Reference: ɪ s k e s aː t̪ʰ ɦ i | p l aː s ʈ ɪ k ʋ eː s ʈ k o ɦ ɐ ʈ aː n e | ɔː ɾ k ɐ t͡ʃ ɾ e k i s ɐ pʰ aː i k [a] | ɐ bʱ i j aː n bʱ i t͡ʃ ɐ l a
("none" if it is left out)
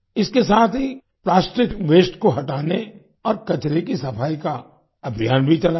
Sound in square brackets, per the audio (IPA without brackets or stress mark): a